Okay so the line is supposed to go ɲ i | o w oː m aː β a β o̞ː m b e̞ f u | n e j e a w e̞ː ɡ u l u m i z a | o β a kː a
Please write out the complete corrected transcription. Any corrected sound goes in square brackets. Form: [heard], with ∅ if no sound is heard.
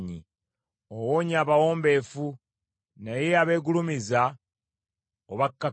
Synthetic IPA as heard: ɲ i | o w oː [ɲ] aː β a [w] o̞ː m b e̞ f u | n [a] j e a [β] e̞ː ɡ u l u m i z a | o β a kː a